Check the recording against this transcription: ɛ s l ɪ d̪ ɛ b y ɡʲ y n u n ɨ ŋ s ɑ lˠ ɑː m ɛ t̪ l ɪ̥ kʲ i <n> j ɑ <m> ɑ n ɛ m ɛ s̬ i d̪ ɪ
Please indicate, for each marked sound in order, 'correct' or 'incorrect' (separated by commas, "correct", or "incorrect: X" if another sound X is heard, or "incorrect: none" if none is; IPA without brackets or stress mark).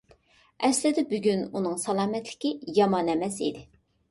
incorrect: none, correct